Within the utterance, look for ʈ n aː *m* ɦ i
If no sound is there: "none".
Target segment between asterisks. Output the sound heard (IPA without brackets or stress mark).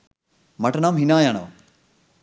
m